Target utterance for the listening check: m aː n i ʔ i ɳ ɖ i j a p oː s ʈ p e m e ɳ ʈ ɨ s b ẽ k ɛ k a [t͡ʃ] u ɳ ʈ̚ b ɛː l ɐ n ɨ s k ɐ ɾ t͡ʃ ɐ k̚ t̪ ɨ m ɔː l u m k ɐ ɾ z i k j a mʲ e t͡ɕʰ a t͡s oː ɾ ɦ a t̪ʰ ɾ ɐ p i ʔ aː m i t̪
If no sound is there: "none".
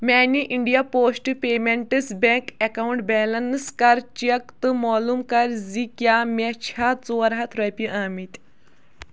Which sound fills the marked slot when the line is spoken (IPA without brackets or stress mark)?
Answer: none